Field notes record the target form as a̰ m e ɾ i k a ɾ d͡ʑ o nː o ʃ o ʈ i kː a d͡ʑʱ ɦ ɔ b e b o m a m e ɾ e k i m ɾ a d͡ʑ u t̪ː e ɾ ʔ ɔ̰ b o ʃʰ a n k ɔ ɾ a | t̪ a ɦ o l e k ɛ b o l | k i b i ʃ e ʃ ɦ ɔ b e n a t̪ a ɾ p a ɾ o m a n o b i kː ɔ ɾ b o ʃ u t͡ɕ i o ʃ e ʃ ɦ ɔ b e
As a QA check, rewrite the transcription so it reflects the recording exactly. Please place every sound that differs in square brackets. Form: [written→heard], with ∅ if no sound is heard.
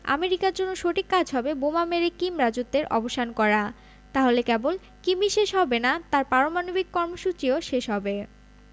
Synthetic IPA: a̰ m e ɾ i k a ɾ d͡ʑ o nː o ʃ o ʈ i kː a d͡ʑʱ ɦ ɔ b e b o m a m e ɾ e k i m ɾ a d͡ʑ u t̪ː e ɾ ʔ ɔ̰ b o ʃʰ a n k ɔ ɾ a | t̪ a ɦ o l e k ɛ b o l | k i b i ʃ e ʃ ɦ ɔ b e n a t̪ a ɾ p a ɾ o m a n o b i kː ɔ ɾ [b→m] o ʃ u t͡ɕ i o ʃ e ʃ ɦ ɔ b e

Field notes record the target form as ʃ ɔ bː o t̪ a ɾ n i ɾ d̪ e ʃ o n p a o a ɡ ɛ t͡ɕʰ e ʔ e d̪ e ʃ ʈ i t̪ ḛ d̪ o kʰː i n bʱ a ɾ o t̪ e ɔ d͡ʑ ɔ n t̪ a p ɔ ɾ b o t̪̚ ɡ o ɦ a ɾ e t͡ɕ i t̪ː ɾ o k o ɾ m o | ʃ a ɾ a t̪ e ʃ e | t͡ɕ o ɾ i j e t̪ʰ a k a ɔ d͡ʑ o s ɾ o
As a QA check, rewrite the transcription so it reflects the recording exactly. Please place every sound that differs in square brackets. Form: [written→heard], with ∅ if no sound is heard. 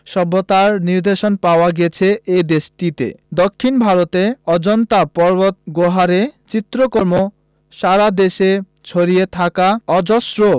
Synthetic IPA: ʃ ɔ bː o t̪ a ɾ n i ɾ d̪ e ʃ o n p a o a ɡ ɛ t͡ɕʰ e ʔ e d̪ e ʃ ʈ i t̪ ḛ d̪ o kʰː i n bʱ a ɾ o t̪ e ɔ d͡ʑ ɔ n t̪ a p ɔ ɾ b o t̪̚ ɡ o ɦ a ɾ e t͡ɕ i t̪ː ɾ o k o ɾ m o | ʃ a ɾ a [t̪→d̪] e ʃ e | [t͡ɕ→t͡ɕʰ] o ɾ i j e t̪ʰ a k a ɔ d͡ʑ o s ɾ o

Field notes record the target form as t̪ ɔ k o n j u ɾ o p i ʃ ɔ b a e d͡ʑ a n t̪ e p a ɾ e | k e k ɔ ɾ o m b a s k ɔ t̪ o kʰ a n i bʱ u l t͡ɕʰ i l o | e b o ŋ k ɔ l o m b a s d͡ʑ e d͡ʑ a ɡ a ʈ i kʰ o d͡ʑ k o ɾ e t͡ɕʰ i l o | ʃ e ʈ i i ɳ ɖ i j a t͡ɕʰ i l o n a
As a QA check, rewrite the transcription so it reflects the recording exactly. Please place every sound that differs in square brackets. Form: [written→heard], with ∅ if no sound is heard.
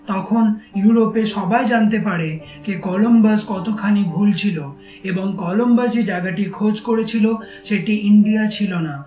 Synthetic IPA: t̪ ɔ [k→kʰ] o n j u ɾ o p [i→e] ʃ ɔ b a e d͡ʑ a n t̪ e p a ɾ e | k e k ɔ [ɾ→l] o m b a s k ɔ t̪ o kʰ a n i bʱ u l t͡ɕʰ i l o | e b o ŋ k ɔ l o m b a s d͡ʑ e d͡ʑ a ɡ a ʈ i kʰ o d͡ʑ k o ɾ e t͡ɕʰ i l o | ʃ e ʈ i i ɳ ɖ i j a t͡ɕʰ i l o n a

